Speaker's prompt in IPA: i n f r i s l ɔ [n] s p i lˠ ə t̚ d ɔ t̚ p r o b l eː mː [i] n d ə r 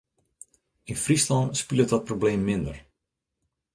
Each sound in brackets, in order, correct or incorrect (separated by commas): correct, incorrect